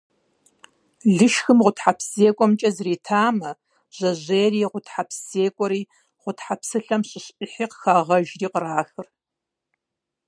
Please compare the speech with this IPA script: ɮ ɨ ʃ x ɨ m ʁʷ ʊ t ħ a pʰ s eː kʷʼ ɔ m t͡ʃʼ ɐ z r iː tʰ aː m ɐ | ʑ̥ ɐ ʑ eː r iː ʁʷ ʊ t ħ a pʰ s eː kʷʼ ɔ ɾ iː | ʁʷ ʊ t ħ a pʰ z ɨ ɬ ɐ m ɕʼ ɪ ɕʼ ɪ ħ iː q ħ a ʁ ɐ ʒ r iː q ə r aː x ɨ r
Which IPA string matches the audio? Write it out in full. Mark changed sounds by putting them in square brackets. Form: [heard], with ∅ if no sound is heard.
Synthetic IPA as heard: ɮ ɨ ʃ x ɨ m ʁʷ ʊ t ħ a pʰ s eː kʷʼ ɔ m t͡ʃʼ ɐ z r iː tʰ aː m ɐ | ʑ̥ ɐ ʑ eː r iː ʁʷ ʊ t ħ a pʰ s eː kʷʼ ɔ ɾ iː | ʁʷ ʊ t ħ a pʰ [s] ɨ ɬ ɐ m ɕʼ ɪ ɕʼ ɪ ħ iː q [x] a ʁ ɐ ʒ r iː q ə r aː x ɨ r